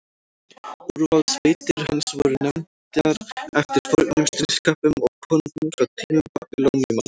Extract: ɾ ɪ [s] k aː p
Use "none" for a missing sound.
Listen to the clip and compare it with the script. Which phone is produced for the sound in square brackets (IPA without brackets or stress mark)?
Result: s